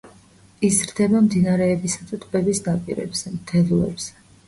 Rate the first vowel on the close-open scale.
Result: close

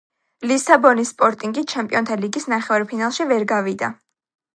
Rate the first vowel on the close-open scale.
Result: close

